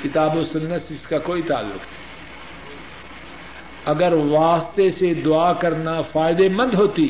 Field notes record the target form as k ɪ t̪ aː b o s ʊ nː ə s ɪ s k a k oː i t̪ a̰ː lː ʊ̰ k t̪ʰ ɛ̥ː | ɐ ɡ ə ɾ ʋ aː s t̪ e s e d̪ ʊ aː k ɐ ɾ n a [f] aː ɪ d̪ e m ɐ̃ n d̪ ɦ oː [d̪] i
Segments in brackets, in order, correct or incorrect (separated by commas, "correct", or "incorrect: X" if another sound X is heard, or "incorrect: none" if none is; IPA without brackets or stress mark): correct, incorrect: t̪